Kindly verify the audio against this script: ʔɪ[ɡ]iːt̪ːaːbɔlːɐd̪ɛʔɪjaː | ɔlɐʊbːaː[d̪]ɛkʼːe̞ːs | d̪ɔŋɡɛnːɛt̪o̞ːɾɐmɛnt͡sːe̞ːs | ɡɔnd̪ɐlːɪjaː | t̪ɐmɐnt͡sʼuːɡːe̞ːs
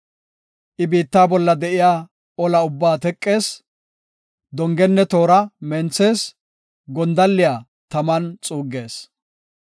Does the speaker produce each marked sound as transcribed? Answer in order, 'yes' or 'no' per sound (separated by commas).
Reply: no, no